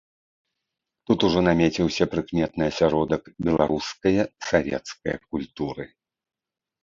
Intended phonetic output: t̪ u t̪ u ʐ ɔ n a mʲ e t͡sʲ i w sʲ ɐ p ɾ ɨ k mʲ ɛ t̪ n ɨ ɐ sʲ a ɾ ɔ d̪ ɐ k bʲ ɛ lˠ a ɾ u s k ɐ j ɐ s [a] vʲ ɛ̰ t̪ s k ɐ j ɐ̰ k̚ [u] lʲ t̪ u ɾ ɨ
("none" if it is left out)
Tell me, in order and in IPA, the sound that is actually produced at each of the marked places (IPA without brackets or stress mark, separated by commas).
a, u